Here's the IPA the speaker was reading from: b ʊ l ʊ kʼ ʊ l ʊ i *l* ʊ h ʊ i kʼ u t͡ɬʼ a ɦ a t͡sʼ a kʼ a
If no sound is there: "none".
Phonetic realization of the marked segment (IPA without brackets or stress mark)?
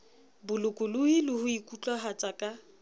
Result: l